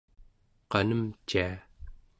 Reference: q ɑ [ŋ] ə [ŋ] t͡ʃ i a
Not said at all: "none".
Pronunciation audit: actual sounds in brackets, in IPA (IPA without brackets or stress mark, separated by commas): n, m